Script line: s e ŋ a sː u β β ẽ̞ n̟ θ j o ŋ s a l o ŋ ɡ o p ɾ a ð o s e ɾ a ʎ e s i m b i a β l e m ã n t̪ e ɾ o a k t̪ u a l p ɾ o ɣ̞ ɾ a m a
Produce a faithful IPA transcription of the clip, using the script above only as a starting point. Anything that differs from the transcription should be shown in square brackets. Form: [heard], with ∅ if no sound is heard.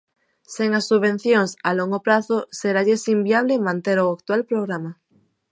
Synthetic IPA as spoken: s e ŋ a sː u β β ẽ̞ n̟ θ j o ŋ s a l o ŋ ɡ o p ɾ a [θ] o s e ɾ a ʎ e s i m b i a β l e m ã n t̪ e ɾ o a k t̪ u a l p ɾ o ɣ̞ ɾ a m a